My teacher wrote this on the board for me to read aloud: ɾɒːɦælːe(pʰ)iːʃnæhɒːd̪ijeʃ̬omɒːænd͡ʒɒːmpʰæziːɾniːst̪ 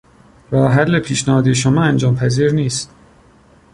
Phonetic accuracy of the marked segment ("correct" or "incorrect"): correct